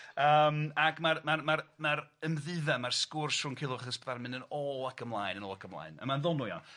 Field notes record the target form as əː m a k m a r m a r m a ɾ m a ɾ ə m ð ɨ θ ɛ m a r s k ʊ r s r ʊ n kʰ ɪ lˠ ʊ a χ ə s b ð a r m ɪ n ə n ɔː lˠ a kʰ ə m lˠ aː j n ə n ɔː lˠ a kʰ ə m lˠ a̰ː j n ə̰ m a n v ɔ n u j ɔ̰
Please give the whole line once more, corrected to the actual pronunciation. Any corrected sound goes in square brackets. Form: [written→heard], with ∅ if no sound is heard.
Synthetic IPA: əː m a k m a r m a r m a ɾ m a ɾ ə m ð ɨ [θ→ð] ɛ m a r s k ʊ r s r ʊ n kʰ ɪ lˠ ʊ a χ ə s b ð a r m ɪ n ə n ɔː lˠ a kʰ ə m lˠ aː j n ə n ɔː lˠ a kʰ ə m lˠ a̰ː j n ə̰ m a n [v→ð] ɔ n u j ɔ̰